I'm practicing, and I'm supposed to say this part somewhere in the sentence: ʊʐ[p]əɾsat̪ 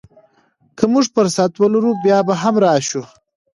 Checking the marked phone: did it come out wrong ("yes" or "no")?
no